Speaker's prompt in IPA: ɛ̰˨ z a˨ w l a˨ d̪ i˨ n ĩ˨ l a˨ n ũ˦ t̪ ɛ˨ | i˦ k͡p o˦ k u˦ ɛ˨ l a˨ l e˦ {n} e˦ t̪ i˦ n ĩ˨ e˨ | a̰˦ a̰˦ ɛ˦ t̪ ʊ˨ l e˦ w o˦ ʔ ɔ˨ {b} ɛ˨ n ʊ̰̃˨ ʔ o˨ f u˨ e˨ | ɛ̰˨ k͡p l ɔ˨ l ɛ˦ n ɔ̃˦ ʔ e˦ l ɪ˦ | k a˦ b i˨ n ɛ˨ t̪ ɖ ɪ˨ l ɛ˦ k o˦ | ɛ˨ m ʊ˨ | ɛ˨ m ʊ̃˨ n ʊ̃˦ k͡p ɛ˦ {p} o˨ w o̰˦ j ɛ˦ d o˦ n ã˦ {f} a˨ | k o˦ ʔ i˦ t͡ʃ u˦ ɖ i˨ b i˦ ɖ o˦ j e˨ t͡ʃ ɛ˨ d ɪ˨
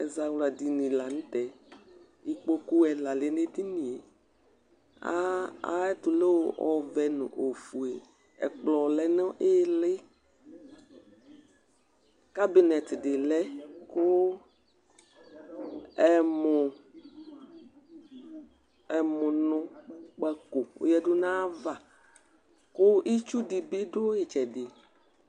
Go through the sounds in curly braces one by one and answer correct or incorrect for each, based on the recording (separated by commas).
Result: correct, incorrect, incorrect, incorrect